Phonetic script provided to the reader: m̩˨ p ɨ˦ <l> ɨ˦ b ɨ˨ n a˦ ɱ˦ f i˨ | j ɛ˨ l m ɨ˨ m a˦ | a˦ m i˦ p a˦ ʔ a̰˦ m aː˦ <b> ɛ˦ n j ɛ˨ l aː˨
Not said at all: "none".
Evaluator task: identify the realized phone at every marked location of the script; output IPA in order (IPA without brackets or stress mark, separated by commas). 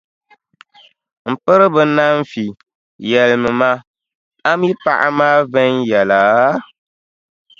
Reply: ɾ, v